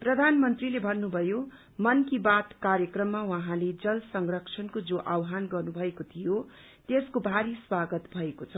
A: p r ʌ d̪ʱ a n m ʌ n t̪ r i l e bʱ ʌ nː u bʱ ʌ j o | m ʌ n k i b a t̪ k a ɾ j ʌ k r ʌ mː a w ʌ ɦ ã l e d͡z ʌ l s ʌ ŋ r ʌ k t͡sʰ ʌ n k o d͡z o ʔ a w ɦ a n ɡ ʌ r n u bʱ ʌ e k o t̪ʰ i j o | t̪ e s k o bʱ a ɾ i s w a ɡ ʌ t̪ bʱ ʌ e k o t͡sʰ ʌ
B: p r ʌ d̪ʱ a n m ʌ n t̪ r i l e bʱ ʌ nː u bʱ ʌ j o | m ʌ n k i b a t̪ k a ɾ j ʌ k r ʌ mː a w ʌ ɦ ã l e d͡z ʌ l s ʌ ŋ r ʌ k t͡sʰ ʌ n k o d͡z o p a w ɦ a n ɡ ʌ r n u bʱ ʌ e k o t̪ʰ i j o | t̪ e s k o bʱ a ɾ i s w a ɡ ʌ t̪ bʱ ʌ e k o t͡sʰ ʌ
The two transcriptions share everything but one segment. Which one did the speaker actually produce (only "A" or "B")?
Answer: A